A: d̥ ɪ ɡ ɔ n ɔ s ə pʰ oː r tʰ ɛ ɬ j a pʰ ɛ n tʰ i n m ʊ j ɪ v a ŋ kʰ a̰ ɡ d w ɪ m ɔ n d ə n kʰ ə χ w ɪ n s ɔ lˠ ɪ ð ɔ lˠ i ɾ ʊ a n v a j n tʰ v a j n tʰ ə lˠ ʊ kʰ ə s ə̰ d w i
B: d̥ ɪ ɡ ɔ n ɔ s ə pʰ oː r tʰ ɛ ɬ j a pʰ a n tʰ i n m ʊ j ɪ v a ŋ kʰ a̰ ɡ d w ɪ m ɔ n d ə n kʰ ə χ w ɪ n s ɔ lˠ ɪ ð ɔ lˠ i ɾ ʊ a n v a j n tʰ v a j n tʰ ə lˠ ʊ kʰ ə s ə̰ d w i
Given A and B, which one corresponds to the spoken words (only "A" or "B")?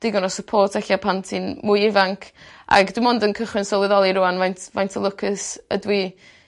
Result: B